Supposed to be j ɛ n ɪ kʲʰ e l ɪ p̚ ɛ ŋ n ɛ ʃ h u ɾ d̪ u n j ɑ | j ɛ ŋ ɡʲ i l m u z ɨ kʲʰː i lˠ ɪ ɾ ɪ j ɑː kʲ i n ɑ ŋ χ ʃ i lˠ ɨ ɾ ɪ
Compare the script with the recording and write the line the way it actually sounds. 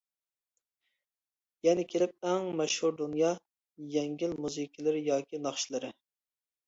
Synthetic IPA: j ɛ n ɪ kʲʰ e l ɪ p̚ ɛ ŋ m ɛ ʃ h u ɾ d̪ u n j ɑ | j ɛ ŋ ɡʲ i l m u z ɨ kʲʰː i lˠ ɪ ɾ ɪ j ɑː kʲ i n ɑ χ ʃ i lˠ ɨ ɾ ɪ